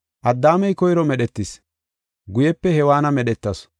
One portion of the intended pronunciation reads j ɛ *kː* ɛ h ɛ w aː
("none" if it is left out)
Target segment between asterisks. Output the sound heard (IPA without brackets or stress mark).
pː